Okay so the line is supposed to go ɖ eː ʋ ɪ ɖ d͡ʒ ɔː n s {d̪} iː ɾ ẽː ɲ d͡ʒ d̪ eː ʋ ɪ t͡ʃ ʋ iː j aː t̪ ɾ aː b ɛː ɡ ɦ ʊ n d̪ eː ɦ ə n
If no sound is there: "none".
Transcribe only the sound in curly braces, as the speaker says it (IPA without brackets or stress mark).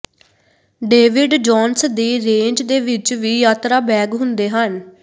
d̪